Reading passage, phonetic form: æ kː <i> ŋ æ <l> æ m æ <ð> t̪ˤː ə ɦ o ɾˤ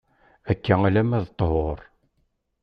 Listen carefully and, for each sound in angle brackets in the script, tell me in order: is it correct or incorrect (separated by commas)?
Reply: incorrect, correct, correct